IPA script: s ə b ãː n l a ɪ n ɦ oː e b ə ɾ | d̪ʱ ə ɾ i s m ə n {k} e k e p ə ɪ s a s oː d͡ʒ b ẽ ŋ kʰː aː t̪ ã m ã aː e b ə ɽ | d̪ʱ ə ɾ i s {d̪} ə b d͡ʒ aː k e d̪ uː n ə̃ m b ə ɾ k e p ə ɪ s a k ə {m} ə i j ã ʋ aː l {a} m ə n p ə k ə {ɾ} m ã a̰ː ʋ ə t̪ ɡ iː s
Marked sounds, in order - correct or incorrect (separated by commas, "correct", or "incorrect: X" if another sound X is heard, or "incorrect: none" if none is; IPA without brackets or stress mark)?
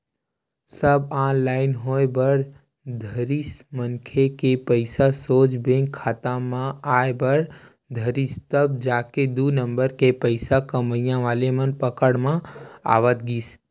incorrect: kʰ, incorrect: t̪, correct, incorrect: e, incorrect: ɽ